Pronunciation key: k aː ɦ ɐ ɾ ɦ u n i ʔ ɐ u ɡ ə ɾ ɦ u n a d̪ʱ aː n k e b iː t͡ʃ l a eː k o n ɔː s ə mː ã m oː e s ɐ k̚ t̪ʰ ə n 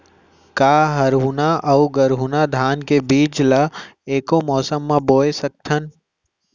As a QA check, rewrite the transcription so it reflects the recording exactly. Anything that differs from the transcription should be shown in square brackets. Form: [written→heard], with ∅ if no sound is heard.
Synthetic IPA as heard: k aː ɦ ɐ ɾ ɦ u n [i→a] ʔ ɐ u ɡ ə ɾ ɦ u n a d̪ʱ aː n k e b iː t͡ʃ l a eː k o [n→m] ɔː s ə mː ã [m→b] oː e s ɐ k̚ t̪ʰ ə n